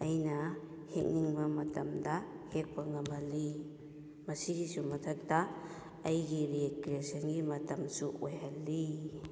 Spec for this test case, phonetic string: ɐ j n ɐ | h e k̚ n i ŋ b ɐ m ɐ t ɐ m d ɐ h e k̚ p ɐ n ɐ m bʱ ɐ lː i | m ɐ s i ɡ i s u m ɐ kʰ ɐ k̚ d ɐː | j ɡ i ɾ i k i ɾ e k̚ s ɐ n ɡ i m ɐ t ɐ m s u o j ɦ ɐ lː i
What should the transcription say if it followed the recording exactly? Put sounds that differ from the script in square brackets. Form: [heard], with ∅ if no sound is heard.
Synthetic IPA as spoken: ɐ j n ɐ | h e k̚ n i ŋ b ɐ m ɐ t ɐ m d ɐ h e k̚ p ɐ [ŋ] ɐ m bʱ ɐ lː i | m ɐ s i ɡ i s u m ɐ [tʰ] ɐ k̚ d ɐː | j ɡ i ɾ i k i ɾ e [∅] s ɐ n ɡ i m ɐ t ɐ m s u o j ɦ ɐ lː i